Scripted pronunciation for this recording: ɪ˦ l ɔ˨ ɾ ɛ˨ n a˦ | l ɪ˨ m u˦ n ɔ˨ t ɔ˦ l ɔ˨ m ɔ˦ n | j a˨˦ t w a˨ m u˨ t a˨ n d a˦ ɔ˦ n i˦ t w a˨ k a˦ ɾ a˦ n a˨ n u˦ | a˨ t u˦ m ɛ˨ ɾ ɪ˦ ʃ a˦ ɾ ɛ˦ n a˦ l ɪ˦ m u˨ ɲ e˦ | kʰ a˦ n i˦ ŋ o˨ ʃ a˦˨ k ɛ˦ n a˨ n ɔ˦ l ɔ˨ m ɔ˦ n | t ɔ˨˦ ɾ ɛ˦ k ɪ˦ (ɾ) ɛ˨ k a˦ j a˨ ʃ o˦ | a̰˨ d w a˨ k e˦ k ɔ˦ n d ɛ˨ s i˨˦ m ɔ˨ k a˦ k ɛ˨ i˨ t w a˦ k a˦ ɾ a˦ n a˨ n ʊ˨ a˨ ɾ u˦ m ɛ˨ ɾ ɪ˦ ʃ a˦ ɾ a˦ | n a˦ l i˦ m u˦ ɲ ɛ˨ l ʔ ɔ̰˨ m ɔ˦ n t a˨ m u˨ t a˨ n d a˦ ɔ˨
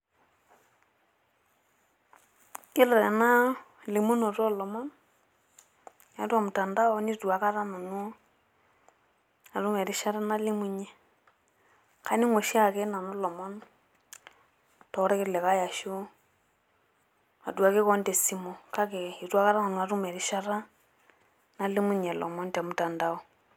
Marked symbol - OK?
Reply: no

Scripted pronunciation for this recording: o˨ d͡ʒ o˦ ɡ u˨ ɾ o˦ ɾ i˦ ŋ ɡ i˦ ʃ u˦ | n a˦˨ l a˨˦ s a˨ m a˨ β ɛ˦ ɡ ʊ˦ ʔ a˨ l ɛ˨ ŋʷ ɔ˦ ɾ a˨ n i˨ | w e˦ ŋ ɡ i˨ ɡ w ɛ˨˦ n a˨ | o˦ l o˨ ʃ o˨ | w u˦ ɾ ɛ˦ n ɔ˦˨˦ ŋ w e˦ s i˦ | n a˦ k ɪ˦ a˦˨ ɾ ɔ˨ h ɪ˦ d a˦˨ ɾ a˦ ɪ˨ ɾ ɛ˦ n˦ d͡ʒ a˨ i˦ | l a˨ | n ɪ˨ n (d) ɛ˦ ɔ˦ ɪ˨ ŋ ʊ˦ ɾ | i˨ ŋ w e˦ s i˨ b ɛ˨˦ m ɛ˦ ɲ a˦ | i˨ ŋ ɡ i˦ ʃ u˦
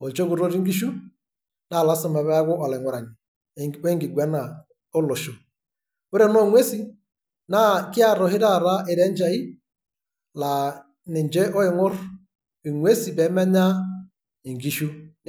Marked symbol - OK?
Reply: no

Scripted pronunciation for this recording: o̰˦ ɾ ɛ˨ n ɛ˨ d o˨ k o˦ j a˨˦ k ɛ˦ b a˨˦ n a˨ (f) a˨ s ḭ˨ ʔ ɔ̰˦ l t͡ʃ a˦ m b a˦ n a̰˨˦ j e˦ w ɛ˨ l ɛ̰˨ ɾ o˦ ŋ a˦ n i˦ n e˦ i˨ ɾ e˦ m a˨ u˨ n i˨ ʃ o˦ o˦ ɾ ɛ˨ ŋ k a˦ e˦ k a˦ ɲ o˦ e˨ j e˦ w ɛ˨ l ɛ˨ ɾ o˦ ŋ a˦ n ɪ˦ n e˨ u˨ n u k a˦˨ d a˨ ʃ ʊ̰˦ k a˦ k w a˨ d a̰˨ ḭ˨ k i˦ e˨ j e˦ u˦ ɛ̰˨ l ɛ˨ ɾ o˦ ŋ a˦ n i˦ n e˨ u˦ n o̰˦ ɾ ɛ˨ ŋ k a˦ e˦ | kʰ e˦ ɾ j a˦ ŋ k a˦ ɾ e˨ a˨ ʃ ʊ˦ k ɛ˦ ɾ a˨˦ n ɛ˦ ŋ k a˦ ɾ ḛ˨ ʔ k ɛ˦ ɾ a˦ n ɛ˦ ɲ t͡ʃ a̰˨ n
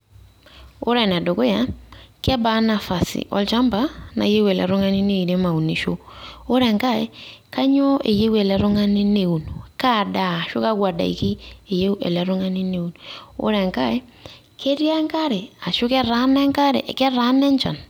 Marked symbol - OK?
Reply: yes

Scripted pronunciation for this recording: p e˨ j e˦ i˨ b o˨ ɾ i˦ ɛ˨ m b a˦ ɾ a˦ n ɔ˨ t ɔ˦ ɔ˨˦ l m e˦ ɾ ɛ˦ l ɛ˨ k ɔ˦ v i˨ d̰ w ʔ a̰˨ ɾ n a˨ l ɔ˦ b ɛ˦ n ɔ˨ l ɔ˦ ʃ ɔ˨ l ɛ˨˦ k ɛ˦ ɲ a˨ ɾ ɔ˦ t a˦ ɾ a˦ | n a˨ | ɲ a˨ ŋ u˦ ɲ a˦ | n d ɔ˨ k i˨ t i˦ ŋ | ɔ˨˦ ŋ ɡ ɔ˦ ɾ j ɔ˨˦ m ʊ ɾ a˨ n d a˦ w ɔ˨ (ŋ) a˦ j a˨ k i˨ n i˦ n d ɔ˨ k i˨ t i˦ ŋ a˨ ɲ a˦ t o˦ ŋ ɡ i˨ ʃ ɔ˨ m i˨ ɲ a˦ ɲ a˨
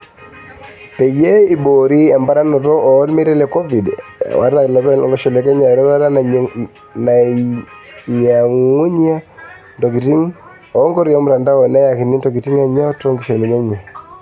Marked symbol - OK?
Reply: no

